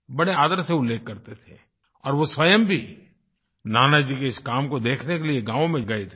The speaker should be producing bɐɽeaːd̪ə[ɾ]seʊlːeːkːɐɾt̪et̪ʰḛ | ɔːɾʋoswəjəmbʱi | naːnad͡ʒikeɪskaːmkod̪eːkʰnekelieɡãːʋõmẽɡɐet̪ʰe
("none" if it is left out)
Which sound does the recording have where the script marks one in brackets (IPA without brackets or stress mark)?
ɾ